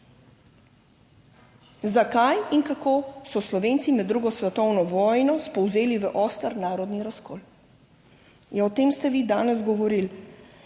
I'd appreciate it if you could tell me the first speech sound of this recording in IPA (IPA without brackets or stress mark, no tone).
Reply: z